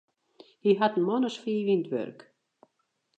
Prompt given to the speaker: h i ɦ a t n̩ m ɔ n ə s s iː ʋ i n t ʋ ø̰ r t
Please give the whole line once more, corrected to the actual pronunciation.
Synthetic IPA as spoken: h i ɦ a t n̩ m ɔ n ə s f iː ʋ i n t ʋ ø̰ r k